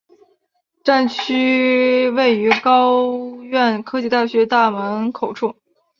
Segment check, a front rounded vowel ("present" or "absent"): present